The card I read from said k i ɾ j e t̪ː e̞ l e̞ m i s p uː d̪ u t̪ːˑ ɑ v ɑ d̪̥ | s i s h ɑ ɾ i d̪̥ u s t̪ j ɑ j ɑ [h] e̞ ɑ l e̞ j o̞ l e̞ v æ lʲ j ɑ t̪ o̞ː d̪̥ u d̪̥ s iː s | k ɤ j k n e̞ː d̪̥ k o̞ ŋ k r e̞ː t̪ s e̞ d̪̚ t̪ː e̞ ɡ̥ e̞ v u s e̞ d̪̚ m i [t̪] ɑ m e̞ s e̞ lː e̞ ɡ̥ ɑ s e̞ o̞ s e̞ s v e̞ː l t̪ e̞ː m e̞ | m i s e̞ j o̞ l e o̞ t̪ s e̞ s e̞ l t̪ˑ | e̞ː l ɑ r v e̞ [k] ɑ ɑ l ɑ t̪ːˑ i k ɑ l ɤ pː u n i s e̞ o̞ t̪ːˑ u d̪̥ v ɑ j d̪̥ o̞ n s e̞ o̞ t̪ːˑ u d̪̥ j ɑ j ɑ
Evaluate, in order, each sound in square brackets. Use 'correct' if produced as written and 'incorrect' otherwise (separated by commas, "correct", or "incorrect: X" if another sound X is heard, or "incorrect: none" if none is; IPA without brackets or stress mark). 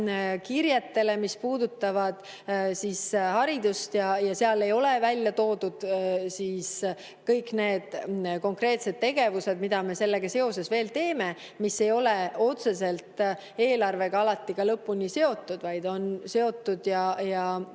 incorrect: s, incorrect: d̪, incorrect: ɡ